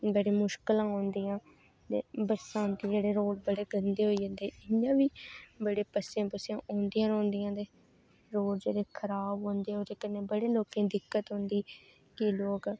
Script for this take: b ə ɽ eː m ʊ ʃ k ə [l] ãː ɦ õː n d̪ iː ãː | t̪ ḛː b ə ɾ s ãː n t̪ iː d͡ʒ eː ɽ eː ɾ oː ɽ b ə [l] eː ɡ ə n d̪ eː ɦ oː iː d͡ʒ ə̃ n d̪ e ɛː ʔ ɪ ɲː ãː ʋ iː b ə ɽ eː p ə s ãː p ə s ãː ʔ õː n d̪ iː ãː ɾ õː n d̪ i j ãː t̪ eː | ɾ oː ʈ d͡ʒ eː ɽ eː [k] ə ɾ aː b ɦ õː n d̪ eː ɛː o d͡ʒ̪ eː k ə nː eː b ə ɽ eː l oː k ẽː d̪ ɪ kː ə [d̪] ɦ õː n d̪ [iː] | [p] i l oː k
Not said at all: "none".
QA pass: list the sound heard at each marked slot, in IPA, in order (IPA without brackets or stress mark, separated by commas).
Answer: l, ɽ, kʰ, t̪, iː, k